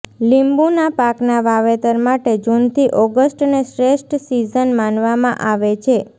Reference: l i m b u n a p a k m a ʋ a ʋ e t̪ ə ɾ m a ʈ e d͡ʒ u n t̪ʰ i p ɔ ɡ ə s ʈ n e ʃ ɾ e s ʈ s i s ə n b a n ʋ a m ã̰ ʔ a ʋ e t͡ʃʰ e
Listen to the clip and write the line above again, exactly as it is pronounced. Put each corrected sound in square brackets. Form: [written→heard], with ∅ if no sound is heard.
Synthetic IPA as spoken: l i m b u n a p a k [m→n] a ʋ a ʋ e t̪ ə ɾ m a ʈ e d͡ʒ u n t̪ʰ i [p→ʔ] ɔ ɡ ə s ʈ n e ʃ ɾ e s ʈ s i [s→z] ə n [b→m] a n ʋ a m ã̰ ʔ a ʋ e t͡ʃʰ e

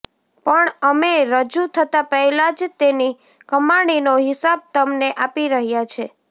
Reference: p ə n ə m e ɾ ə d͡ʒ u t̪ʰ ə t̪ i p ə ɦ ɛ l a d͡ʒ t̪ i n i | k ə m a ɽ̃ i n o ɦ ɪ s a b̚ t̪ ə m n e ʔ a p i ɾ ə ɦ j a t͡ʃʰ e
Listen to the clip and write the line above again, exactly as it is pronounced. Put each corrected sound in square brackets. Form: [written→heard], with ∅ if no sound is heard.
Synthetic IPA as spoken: p ə [n→ɳ] ə m e ɾ ə d͡ʒ u t̪ʰ ə t̪ [i→a] p ə ɦ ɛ l a d͡ʒ t̪ [i→e] n i | k ə m a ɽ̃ i n o ɦ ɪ s a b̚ t̪ ə m n e ʔ a p i ɾ ə ɦ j a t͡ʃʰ e

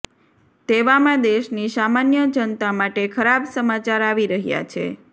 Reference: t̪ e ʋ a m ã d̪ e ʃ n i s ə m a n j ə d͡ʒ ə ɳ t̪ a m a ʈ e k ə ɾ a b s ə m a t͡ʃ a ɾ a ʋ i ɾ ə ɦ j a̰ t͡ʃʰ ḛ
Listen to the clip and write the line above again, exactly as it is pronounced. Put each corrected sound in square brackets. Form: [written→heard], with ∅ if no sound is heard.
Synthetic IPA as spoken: t̪ e ʋ a m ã d̪ e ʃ n i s [ə→a] m a n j ə d͡ʒ ə [ɳ→n] t̪ a m a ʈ e [k→kʰ] ə ɾ a b s ə m a t͡ʃ a ɾ a ʋ i ɾ ə ɦ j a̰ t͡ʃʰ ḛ

